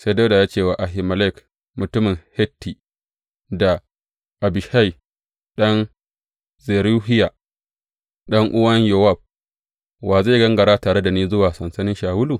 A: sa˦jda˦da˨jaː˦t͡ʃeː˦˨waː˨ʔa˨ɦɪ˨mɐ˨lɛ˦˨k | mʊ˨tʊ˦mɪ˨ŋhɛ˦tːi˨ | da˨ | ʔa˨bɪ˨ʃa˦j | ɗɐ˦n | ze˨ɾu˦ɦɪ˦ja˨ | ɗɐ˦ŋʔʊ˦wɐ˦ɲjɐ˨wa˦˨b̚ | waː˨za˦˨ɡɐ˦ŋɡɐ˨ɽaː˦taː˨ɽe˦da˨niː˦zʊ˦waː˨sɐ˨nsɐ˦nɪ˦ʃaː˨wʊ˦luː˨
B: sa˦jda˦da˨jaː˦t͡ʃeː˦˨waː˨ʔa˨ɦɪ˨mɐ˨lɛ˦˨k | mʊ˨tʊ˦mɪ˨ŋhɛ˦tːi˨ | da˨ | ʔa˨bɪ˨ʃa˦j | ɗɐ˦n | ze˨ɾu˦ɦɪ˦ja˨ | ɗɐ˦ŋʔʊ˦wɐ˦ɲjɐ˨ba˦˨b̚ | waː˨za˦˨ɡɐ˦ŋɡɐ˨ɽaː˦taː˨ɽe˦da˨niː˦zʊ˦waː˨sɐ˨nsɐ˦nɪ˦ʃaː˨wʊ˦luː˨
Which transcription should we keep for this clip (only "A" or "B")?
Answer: A